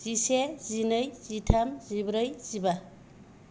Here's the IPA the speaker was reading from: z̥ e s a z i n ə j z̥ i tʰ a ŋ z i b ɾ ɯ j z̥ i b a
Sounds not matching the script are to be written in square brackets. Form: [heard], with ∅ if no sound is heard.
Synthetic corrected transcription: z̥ [i] s [e] z i n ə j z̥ i tʰ a [m] z i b ɾ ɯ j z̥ i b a

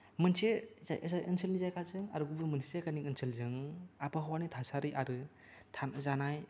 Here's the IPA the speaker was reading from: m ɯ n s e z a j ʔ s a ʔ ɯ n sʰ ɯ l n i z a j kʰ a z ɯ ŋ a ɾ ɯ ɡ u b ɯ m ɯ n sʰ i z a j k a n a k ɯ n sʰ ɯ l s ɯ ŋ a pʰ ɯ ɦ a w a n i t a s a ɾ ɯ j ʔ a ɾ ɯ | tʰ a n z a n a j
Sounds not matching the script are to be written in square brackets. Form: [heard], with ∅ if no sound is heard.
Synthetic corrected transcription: m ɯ n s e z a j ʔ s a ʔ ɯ n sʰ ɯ l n i z a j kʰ a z ɯ ŋ a ɾ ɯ ɡ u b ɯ m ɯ n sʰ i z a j k a n [i] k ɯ n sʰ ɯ l [z] ɯ ŋ a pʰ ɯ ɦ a w a n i [tʰ] a s a ɾ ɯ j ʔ a ɾ ɯ | tʰ a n z a n a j

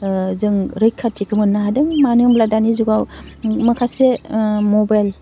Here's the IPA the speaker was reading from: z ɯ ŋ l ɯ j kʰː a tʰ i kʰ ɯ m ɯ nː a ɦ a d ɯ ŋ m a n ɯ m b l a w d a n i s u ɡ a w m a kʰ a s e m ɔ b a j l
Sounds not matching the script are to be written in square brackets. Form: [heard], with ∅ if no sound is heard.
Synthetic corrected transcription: z ɯ ŋ [ɾ] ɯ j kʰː a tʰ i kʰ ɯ m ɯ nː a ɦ a d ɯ ŋ m a n ɯ m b l a [∅] d a n i [z] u ɡ a w m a kʰ a s e m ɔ b a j l

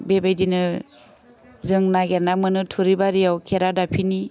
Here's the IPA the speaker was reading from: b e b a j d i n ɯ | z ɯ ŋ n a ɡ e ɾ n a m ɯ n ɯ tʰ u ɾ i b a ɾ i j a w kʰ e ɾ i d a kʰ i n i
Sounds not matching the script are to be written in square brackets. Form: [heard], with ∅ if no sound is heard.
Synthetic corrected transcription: b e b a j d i n ɯ | z ɯ ŋ n a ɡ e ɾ n a m ɯ n ɯ tʰ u ɾ i b a ɾ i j a w kʰ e ɾ [a] d a [pʰ] i n i

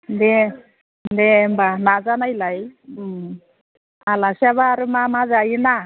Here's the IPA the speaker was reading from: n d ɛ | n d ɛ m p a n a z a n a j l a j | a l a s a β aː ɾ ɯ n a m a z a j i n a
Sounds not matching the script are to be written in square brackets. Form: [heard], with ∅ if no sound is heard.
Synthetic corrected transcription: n d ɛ | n d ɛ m [b] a n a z a n a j l a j | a l a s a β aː ɾ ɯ [m] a m a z a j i n a

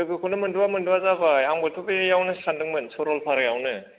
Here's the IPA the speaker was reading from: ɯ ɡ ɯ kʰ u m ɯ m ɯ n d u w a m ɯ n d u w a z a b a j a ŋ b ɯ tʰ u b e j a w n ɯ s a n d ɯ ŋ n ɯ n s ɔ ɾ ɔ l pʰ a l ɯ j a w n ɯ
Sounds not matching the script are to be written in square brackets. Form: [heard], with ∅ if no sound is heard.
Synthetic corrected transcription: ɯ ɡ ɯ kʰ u [n] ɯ m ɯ n d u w a m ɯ n d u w a z a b a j a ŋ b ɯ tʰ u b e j a w n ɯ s a n d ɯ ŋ [m] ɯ n s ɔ ɾ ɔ l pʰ a [ɾ] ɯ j a w n ɯ

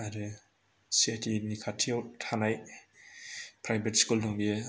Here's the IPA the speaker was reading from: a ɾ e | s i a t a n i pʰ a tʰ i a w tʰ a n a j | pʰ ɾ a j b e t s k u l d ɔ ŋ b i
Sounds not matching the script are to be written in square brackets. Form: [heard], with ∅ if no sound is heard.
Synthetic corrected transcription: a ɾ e | s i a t [i] n i [kʰ] a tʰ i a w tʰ a n a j | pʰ ɾ a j b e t s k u l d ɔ ŋ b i

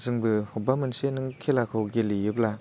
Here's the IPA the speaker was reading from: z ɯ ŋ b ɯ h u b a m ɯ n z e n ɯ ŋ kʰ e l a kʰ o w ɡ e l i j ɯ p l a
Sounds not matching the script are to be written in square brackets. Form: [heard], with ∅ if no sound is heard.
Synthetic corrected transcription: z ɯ ŋ b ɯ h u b a m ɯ n [s] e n ɯ ŋ kʰ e l a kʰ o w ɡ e l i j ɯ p l a

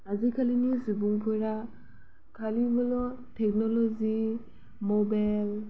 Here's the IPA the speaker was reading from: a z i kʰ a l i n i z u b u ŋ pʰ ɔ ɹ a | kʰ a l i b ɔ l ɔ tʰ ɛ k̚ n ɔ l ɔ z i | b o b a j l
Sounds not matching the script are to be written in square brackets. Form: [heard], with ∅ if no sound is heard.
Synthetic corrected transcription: a z i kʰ a l i n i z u b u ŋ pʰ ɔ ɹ a | kʰ a l i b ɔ l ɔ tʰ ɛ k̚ n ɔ l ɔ z i | [m] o b a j l

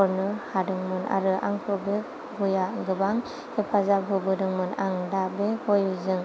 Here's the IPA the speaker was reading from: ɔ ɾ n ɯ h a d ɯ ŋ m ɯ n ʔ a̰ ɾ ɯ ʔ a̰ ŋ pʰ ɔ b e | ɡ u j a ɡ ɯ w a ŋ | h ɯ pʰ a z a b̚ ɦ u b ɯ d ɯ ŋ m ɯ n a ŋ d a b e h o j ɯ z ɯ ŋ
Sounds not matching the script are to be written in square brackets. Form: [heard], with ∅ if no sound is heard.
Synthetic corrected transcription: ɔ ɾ n ɯ h a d ɯ ŋ m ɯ n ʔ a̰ ɾ ɯ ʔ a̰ ŋ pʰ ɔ b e | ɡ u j a ɡ ɯ [b] a ŋ | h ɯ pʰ a z a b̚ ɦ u b ɯ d ɯ ŋ m ɯ n a ŋ d a b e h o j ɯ z ɯ ŋ

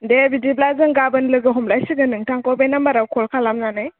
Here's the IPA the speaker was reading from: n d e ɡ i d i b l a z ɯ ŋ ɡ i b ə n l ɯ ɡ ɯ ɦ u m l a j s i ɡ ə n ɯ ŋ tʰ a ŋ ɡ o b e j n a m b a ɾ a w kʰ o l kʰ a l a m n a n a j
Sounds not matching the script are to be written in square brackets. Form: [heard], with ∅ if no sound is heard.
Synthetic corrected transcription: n d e [b] i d i b l a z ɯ ŋ ɡ [a] b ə n l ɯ ɡ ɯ ɦ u m l a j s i ɡ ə n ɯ ŋ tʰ a ŋ [k] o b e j n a m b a ɾ a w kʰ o l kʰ a l a m n a n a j

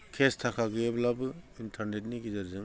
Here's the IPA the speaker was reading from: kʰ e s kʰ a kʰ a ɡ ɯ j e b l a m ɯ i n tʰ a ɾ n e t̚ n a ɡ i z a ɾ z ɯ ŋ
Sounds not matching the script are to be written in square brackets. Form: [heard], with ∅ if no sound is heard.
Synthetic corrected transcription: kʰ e s [tʰ] a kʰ a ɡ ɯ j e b l a [b] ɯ i n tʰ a ɾ n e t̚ n [i] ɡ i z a ɾ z ɯ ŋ

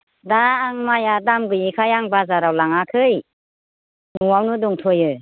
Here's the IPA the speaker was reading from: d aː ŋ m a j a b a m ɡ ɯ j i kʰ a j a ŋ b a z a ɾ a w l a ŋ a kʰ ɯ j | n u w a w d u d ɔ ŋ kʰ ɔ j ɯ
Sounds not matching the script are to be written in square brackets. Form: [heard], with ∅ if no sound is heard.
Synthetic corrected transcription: d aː ŋ m a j a [d] a m ɡ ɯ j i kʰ a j a ŋ b a z a ɾ a w l a ŋ a kʰ ɯ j | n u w a w [n] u d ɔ ŋ [tʰ] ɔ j ɯ

